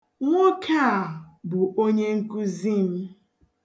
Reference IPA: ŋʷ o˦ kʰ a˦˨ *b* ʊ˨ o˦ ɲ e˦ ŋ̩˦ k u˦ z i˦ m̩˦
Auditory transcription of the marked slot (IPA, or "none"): b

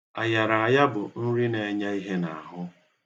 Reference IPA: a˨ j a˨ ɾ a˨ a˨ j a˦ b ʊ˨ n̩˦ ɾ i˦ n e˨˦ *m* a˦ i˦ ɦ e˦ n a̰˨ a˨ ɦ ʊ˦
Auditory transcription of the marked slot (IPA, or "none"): ɲ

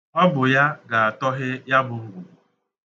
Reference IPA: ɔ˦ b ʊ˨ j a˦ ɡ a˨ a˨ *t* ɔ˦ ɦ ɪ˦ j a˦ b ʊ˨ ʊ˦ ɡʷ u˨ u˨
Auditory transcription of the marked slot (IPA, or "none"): t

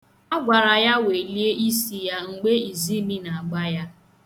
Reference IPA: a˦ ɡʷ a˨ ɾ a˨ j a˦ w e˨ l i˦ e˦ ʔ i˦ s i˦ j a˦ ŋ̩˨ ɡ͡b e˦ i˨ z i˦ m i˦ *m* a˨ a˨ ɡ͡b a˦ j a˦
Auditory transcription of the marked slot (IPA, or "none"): n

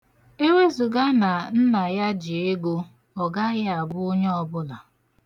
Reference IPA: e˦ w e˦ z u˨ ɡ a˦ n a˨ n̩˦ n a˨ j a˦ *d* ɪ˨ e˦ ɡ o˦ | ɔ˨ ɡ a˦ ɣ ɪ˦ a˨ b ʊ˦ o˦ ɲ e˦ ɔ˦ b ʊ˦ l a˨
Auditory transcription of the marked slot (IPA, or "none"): d͡ʒ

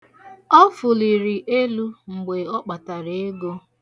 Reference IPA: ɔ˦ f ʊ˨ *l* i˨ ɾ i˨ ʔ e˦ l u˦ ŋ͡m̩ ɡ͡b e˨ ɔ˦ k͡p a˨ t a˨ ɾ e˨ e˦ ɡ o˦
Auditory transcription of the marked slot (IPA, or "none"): l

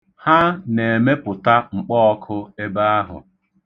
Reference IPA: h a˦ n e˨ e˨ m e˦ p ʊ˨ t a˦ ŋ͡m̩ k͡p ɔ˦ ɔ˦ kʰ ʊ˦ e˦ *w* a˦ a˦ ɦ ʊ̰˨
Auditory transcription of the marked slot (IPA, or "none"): b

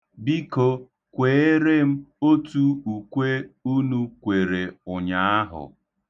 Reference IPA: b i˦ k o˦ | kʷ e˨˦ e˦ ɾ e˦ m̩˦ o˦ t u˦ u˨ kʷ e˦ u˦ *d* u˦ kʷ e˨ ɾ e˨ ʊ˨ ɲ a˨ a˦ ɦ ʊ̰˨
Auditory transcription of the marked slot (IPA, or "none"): n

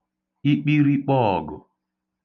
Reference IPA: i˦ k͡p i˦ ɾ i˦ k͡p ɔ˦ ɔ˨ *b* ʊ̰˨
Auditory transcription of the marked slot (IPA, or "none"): ɡ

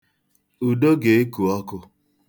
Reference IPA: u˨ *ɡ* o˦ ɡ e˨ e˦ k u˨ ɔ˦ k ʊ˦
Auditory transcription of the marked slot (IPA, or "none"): d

